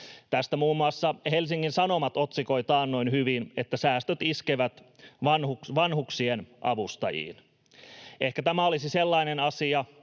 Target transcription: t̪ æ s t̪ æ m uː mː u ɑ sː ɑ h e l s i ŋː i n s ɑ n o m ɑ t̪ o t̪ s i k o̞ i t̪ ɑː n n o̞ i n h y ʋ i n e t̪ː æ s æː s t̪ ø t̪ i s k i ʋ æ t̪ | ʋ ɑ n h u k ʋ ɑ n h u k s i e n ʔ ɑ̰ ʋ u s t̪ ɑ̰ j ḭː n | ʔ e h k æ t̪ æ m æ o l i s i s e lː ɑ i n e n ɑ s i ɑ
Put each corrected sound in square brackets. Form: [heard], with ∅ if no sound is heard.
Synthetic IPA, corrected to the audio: t̪ æ s t̪ æ m uː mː u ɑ sː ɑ h e l s i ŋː i n s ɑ n o m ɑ t̪ o t̪ s i k o̞ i t̪ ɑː n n o̞ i n h y ʋ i n e t̪ː æ s æː s t̪ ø t̪ i s k [e] ʋ æ t̪ | ʋ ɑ n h u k ʋ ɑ n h u k s i e n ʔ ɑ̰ ʋ u s t̪ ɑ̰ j ḭː n | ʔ e h k æ t̪ æ m æ o l i s i s e lː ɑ i n e n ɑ s i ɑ